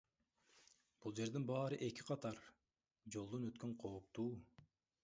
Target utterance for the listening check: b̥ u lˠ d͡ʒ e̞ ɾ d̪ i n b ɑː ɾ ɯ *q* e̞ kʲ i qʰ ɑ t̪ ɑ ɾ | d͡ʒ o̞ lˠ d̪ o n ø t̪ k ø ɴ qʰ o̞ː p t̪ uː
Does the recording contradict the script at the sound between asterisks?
yes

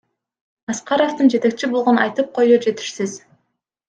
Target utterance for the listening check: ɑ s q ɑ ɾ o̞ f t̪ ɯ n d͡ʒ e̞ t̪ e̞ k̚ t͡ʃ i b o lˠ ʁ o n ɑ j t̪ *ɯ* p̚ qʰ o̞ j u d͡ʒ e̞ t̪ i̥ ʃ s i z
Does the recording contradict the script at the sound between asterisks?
no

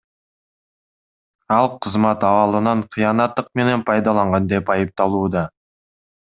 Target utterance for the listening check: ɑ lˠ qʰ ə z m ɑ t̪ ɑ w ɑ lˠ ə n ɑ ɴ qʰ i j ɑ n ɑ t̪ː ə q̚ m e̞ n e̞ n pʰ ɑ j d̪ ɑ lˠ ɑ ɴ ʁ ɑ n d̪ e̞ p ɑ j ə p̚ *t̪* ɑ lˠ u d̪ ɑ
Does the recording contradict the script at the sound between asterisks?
no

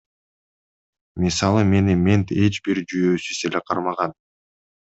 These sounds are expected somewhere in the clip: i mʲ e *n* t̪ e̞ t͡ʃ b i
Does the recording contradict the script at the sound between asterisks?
no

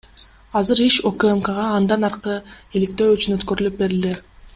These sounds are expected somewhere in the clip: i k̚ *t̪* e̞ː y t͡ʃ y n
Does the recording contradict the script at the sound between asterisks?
no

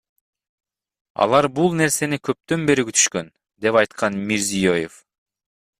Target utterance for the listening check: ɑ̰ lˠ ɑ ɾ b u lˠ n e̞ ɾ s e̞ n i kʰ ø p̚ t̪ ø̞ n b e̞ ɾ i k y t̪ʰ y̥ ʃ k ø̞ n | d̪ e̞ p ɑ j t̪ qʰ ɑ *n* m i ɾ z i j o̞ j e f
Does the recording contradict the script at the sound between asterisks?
no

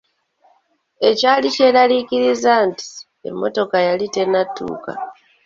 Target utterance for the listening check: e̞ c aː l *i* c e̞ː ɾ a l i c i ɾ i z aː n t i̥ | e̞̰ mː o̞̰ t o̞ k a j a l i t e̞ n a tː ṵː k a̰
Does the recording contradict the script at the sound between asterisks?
no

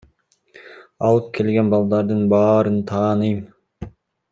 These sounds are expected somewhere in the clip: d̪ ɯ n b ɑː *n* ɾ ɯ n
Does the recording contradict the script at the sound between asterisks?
yes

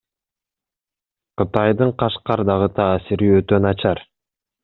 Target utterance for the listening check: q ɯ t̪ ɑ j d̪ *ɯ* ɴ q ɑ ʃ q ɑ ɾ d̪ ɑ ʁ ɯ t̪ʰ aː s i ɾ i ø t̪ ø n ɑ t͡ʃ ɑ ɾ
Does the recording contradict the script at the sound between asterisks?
no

